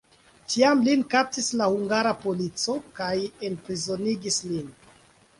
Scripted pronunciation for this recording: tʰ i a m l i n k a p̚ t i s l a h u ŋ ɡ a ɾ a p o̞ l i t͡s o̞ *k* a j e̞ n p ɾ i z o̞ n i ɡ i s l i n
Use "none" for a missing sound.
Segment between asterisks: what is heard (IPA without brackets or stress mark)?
k